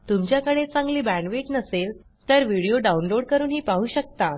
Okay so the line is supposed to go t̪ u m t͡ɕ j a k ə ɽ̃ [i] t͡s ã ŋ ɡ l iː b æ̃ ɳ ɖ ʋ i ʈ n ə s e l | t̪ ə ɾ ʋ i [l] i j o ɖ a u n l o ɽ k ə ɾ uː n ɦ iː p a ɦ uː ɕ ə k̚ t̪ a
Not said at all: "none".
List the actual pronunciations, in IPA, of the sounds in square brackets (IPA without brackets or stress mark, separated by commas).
e, ɽ